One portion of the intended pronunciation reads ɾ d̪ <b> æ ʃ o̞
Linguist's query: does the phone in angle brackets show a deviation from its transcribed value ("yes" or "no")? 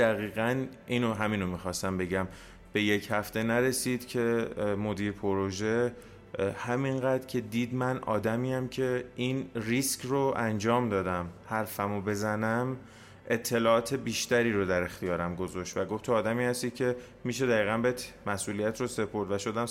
yes